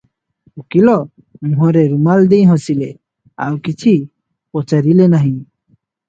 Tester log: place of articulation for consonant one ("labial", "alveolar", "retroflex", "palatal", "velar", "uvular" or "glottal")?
velar